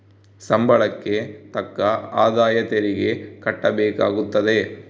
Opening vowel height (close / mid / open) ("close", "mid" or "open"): open